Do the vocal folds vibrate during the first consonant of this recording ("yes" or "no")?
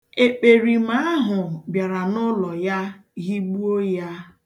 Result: no